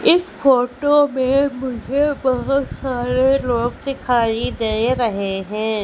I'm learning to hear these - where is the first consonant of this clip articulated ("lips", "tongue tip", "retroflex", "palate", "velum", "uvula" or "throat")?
tongue tip